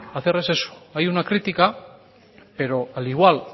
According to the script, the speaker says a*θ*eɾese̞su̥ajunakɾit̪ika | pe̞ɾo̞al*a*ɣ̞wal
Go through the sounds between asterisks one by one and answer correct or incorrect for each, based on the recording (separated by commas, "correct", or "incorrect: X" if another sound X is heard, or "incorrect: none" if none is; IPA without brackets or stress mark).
correct, incorrect: i